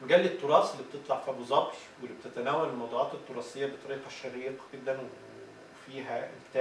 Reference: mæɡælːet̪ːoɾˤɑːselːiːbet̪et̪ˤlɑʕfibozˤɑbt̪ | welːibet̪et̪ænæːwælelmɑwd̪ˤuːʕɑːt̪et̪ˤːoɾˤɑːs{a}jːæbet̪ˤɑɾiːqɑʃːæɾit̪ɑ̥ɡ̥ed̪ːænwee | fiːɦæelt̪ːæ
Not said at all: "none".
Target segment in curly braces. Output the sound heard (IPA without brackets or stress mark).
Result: e